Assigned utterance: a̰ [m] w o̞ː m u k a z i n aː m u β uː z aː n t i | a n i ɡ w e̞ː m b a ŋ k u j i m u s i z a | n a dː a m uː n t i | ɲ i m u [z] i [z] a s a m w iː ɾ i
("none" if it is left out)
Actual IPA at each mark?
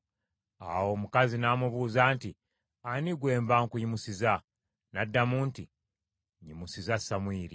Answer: none, s, z

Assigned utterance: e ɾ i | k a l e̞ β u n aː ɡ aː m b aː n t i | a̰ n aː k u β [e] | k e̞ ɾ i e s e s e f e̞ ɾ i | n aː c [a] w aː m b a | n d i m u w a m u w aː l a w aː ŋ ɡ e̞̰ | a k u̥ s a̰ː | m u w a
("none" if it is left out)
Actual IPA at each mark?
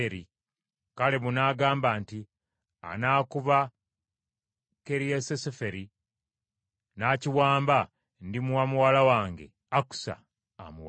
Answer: a, i

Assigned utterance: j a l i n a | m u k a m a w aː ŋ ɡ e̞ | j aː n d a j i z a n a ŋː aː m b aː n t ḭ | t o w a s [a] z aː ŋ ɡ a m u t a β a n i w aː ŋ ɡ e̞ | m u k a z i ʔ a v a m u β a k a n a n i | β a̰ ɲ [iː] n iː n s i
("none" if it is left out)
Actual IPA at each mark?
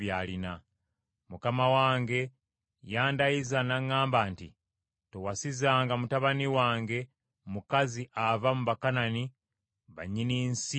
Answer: i, i

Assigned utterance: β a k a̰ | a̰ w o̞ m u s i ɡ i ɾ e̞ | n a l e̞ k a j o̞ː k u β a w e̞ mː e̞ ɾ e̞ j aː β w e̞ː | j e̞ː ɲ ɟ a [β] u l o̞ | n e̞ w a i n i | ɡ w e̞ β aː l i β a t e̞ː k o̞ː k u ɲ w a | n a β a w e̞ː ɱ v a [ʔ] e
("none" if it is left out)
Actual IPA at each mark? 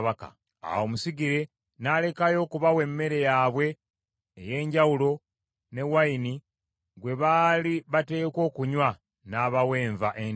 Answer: w, ʔ

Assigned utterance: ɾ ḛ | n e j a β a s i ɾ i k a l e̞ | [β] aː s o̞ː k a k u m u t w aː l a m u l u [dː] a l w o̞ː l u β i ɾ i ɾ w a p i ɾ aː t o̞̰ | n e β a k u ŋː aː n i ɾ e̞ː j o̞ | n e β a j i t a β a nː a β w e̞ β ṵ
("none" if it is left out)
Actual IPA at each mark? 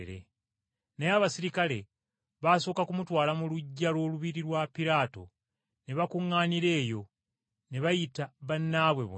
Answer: β, ɟː

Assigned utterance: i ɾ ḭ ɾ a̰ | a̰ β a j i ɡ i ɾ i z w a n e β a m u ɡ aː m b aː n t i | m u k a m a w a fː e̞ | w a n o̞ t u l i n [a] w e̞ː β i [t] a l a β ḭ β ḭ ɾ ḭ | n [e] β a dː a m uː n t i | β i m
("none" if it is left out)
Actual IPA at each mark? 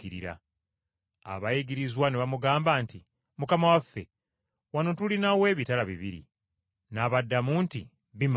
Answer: a, t, a

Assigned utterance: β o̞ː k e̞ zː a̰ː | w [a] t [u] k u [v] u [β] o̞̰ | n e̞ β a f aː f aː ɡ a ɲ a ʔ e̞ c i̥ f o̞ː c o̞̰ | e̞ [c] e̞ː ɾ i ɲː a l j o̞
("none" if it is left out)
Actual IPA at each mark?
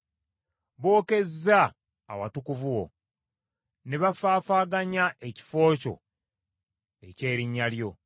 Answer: a, u, v, w, c

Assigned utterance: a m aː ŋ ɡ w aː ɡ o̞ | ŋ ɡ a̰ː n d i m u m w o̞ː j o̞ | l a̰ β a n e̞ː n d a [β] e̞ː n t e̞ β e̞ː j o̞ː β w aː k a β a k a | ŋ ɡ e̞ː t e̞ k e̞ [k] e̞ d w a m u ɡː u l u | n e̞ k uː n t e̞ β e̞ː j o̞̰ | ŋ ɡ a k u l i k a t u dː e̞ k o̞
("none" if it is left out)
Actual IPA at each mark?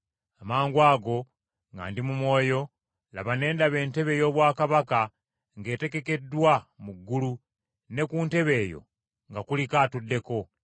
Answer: β, k

